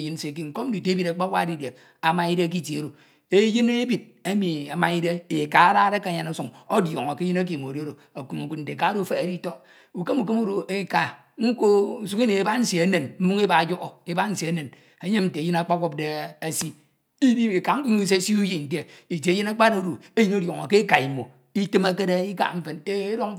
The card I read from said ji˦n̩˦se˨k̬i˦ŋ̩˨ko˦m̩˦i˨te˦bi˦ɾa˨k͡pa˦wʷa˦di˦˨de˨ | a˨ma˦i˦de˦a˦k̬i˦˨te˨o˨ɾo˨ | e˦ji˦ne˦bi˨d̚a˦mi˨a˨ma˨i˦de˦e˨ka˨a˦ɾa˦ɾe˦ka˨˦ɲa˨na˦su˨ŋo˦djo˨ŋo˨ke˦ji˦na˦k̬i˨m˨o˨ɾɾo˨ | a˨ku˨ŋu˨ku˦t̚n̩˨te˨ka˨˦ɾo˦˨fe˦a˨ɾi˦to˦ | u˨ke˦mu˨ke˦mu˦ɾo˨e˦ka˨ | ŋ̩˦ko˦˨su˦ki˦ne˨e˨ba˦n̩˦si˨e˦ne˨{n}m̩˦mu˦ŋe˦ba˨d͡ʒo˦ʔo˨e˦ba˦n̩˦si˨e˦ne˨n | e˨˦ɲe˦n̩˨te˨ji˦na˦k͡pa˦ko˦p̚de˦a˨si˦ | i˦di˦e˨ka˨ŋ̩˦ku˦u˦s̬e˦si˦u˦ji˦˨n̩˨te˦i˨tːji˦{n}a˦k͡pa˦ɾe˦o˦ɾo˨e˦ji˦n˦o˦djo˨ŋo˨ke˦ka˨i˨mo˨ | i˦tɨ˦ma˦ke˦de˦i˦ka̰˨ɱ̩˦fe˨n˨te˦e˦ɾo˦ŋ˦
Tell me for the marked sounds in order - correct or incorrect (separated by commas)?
correct, correct